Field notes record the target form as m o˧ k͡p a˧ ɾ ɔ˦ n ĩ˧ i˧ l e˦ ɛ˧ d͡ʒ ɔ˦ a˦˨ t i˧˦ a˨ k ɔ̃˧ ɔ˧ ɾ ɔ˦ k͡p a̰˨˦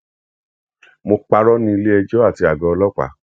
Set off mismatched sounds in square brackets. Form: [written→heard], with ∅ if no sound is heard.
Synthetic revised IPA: m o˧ k͡p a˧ ɾ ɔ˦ n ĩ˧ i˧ l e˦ ɛ˧ d͡ʒ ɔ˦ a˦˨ t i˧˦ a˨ [k→ɡ] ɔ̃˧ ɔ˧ [ɾ→l] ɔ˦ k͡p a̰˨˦